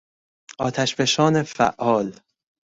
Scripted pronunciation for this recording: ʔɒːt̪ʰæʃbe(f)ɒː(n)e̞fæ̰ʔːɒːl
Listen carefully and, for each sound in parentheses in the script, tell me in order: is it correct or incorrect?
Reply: incorrect: ʃ, correct

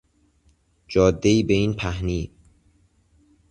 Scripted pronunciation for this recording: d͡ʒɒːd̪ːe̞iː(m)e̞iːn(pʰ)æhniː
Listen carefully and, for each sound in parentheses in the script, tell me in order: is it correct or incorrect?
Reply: incorrect: b, correct

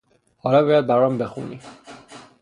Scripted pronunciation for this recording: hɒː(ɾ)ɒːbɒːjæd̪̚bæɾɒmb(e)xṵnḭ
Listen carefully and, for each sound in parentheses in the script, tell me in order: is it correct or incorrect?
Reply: incorrect: l, correct

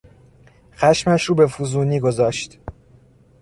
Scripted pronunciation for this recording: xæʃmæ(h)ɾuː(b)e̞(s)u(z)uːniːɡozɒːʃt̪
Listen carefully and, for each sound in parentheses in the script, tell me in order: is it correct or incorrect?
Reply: incorrect: ʃ, correct, incorrect: f, correct

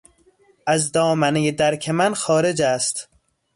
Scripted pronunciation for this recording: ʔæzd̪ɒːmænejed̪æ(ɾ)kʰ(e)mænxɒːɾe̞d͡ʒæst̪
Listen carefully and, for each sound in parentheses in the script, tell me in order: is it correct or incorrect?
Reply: correct, correct

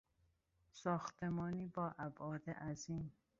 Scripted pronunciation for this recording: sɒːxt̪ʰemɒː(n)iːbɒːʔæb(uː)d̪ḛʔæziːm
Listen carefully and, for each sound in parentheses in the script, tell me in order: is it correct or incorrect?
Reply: correct, incorrect: ɒː

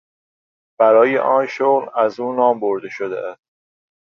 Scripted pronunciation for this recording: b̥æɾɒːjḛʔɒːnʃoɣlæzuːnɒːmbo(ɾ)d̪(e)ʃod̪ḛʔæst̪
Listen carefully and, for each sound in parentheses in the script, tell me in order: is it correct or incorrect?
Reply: correct, correct

